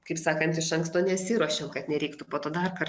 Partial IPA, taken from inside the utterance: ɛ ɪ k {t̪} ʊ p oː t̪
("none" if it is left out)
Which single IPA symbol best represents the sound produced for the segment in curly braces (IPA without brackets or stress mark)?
t̪